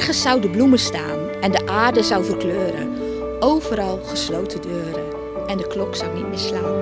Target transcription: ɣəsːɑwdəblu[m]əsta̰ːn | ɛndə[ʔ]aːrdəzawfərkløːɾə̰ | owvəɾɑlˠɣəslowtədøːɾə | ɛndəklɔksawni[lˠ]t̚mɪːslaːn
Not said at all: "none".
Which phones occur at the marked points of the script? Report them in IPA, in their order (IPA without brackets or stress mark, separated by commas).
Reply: m, ʔ, none